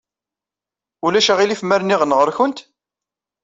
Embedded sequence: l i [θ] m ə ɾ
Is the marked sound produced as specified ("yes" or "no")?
no